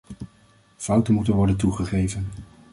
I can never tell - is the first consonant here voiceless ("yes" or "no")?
yes